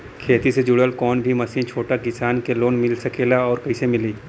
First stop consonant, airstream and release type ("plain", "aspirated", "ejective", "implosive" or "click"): aspirated